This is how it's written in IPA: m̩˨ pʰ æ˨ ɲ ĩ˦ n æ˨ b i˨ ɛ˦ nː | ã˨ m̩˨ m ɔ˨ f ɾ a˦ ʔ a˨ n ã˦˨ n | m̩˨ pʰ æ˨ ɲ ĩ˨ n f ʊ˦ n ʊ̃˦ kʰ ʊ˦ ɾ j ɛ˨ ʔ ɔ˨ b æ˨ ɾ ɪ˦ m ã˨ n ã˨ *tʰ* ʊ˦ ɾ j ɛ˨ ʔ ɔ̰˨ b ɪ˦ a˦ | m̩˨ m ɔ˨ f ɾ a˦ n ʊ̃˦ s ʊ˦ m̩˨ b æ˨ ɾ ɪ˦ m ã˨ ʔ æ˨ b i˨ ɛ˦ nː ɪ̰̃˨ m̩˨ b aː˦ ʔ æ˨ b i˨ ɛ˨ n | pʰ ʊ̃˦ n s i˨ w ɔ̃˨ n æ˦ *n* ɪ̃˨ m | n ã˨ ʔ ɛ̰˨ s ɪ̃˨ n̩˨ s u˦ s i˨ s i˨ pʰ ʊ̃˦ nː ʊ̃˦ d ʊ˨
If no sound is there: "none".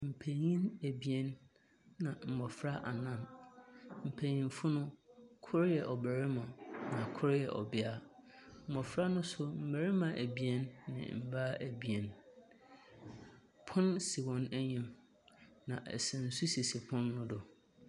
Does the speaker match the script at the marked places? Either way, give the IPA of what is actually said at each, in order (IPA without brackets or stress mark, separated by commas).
kʰ, ɲ